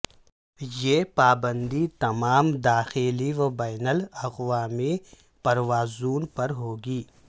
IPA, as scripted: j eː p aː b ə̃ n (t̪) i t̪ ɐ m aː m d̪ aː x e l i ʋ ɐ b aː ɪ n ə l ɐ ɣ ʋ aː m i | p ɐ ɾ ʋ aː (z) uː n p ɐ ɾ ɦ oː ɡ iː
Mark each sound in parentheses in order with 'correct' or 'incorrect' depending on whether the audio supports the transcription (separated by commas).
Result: incorrect, correct